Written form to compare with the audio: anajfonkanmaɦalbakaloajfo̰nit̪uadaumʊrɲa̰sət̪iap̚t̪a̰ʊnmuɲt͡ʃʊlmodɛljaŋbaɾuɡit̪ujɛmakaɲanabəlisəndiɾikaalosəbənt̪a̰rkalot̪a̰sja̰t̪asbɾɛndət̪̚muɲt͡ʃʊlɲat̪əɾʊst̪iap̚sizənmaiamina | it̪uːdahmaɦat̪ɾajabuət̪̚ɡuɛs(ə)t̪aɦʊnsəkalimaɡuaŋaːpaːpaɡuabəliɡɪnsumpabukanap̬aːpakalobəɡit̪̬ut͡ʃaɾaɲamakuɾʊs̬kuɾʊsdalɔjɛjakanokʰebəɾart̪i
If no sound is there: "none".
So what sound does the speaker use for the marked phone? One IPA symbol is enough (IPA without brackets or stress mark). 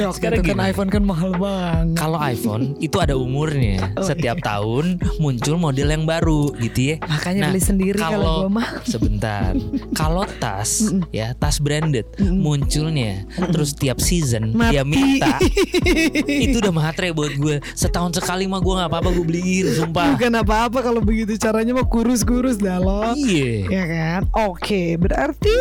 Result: ə